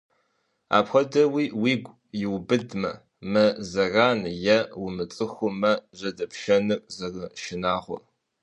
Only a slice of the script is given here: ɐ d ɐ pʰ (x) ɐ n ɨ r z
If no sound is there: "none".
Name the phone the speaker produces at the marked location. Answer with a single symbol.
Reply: ʃ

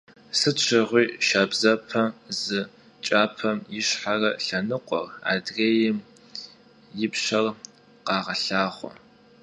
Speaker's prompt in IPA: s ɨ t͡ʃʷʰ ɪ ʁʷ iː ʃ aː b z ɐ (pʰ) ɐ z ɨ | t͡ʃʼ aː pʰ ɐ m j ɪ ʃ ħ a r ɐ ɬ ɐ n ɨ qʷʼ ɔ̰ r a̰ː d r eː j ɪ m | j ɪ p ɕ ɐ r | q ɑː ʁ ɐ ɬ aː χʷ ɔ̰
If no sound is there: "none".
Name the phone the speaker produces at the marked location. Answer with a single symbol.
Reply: pʰ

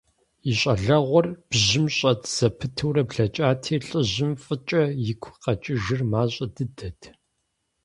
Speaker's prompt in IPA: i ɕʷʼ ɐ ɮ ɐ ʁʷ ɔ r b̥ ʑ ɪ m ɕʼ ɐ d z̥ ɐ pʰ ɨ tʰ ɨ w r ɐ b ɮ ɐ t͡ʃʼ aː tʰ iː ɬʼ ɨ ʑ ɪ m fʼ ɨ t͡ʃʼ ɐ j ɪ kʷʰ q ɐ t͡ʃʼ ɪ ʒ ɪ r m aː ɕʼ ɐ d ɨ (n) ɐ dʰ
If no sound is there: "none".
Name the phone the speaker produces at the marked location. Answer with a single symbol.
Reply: d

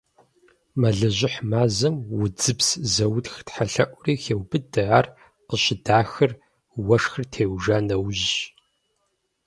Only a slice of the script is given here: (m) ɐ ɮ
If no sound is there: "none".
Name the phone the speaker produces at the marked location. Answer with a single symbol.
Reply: m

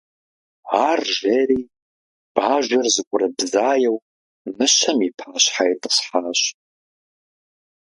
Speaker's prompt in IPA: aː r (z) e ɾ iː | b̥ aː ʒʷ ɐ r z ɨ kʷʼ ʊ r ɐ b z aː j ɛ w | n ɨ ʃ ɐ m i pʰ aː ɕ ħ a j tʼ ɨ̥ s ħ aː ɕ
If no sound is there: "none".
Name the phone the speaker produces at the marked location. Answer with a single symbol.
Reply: ʒ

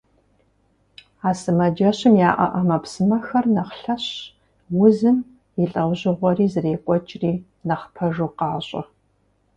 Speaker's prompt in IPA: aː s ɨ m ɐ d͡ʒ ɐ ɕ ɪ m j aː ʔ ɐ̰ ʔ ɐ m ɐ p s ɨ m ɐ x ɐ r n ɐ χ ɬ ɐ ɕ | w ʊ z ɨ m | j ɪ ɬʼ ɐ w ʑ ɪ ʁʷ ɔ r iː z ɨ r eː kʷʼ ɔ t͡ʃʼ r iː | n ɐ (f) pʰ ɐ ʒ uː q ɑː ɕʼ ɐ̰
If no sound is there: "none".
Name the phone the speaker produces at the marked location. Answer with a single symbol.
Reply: χ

